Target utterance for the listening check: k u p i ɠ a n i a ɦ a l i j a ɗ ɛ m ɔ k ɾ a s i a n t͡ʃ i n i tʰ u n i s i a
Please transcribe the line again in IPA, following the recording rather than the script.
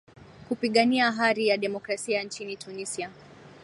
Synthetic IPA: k u p i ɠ a n i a ɦ a ɾ i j a ɗ ɛ m ɔ k ɾ a s i a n t͡ʃ i n i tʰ u n i s i a